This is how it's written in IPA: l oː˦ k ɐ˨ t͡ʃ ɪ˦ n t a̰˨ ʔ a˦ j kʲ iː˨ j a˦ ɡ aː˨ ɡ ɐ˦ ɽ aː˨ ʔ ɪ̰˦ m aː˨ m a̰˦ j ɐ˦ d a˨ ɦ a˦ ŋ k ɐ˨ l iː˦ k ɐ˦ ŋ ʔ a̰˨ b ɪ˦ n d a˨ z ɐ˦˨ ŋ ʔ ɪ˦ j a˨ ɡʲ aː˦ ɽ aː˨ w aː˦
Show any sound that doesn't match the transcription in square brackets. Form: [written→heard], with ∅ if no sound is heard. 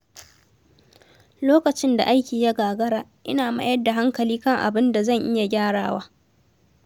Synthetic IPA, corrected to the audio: l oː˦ k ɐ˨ t͡ʃ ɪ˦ n [t→d] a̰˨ ʔ a˦ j kʲ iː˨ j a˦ ɡ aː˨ ɡ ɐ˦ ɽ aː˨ ʔ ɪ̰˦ [m→n] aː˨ m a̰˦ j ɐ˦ d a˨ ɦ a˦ ŋ k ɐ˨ l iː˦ k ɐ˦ ŋ ʔ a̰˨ b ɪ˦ n d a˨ z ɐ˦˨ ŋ ʔ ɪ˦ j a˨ ɡʲ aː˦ ɽ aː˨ w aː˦